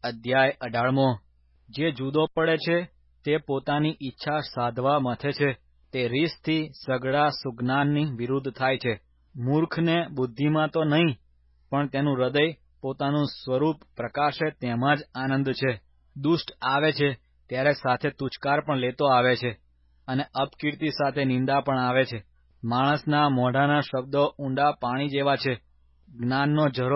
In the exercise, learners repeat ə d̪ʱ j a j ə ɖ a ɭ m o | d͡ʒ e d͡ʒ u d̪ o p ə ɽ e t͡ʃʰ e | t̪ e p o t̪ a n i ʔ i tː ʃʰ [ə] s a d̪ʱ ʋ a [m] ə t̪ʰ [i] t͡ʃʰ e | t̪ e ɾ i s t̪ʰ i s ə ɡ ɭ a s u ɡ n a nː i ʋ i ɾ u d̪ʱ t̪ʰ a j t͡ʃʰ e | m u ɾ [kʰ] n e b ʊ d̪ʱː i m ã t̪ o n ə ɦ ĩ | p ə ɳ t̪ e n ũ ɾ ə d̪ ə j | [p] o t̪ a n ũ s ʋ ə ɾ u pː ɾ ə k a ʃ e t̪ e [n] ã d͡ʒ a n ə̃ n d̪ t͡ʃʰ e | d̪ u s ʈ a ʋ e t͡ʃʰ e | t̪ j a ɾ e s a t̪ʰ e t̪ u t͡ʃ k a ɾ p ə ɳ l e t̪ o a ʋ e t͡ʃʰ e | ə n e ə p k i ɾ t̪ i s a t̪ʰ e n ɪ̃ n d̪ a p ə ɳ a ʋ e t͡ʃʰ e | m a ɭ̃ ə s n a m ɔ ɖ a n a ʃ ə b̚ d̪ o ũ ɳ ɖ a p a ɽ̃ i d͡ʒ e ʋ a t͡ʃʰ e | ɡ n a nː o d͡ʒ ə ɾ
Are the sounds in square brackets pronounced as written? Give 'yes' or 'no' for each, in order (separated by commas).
no, yes, no, yes, yes, no